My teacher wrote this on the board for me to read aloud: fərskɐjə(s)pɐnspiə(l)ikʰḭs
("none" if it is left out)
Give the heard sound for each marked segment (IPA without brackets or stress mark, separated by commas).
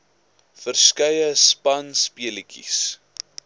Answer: s, l